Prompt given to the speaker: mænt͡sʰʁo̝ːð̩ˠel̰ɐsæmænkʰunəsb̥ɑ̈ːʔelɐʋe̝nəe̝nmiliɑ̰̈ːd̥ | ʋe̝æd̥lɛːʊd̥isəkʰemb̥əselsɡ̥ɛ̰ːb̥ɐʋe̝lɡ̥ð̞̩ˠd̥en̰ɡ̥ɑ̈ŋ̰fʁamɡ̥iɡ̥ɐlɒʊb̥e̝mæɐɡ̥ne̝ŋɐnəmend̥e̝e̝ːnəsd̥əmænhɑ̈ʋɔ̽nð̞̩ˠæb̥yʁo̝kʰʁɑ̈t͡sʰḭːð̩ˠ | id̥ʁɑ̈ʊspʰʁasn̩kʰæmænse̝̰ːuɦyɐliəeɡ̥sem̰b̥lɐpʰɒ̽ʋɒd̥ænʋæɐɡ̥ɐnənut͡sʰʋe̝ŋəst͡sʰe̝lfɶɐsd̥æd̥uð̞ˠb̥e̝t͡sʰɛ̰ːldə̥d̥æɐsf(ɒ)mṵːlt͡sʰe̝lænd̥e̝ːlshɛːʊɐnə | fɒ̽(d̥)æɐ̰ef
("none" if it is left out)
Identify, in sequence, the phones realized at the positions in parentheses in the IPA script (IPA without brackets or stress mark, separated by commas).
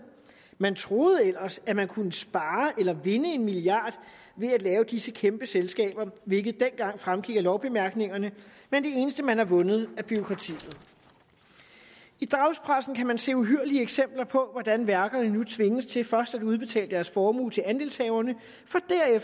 ɒː, d̥